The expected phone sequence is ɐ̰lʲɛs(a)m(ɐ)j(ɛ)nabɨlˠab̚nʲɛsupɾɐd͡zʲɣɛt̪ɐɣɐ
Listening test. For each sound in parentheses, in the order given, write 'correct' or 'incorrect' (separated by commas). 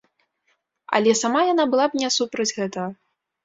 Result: correct, incorrect, incorrect